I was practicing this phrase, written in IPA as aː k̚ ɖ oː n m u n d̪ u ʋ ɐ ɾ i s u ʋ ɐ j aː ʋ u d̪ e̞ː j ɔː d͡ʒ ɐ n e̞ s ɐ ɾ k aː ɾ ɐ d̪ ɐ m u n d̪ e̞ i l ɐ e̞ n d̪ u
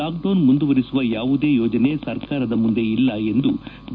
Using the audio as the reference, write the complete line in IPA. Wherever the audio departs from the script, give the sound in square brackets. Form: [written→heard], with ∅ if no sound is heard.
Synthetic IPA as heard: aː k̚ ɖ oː n m u n d̪ u ʋ ɐ ɾ i s u ʋ ɐ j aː ʋ u d̪ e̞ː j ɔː d͡ʒ ɐ n e̞ s ɐ ɾ k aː ɾ ɐ d̪ ɐ m u n d̪ e̞ i [l→lː] ɐ e̞ n d̪ u

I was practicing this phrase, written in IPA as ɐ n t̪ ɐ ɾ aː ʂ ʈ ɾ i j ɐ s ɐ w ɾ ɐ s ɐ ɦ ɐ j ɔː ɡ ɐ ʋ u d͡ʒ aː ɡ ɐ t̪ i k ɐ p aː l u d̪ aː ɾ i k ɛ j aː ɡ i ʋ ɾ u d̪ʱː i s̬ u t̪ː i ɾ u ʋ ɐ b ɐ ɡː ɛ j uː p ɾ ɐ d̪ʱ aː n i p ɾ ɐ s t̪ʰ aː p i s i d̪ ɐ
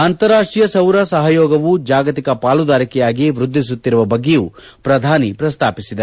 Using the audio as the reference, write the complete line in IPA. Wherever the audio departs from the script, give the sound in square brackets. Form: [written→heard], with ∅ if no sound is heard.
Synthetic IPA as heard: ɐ n t̪ ɐ ɾ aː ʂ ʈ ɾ i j ɐ s ɐ w ɾ ɐ s ɐ ɦ ɐ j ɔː ɡ ɐ ʋ u d͡ʒ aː ɡ ɐ t̪ i k ɐ p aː l u d̪ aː ɾ i k ɛ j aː ɡ i ʋ ɾ u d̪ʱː i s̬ u t̪ː i ɾ u ʋ ɐ b ɐ ɡː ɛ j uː p ɾ ɐ d̪ʱ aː n i p ɾ ɐ s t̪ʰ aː p i s i d̪ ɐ

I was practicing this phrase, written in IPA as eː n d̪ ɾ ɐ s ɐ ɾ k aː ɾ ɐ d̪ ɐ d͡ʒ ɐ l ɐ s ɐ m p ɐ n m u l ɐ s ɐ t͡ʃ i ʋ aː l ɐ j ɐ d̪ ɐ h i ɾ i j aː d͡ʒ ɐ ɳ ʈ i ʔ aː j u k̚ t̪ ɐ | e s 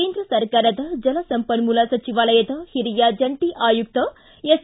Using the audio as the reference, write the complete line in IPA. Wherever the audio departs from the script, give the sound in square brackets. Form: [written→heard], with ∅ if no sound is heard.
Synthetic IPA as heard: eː n d̪ ɾ ɐ s ɐ ɾ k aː ɾ ɐ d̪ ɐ d͡ʒ ɐ l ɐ s ɐ m p ɐ n m u l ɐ s ɐ t͡ʃ i ʋ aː l ɐ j ɐ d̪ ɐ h i ɾ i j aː d͡ʒ ɐ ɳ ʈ i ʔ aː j u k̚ t̪ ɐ | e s

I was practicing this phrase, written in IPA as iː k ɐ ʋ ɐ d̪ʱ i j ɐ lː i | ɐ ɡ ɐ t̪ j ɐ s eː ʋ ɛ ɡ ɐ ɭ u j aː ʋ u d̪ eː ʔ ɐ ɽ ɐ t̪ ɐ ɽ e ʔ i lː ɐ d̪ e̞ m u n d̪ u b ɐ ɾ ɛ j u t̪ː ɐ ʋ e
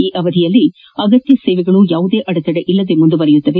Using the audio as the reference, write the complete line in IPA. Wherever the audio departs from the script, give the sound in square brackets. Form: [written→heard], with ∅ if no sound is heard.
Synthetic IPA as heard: iː [k→ʔ] ɐ ʋ ɐ d̪ʱ i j ɐ lː i | ɐ ɡ ɐ t̪ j ɐ s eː ʋ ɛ ɡ ɐ ɭ u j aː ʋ u d̪ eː ʔ ɐ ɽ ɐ t̪ ɐ ɽ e ʔ i lː ɐ d̪ e̞ m u n d̪ u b ɐ ɾ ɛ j u t̪ː ɐ ʋ e

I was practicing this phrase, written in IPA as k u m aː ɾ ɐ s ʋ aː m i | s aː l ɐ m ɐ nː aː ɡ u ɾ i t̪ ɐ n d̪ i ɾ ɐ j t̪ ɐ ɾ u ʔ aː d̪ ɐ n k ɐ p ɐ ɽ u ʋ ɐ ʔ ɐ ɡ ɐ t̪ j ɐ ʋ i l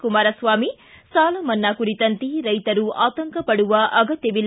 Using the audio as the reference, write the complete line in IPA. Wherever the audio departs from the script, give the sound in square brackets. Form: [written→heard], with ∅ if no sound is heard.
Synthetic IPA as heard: k u m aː ɾ ɐ s ʋ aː m i | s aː l ɐ m ɐ nː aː [ɡ→k] u ɾ i t̪ ɐ n [d̪→t̪] i ɾ ɐ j t̪ ɐ ɾ u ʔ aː [d̪→t̪] ɐ [n→ŋ] k ɐ p ɐ ɽ u ʋ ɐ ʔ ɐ ɡ ɐ t̪ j ɐ ʋ i l

